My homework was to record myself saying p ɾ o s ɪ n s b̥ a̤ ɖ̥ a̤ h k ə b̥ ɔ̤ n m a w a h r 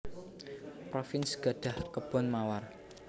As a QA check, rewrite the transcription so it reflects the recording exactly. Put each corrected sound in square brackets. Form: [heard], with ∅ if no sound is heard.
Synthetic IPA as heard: p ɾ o [f] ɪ n s [ɡ̥] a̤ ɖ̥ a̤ h k ə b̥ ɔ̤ n m a w a [∅] r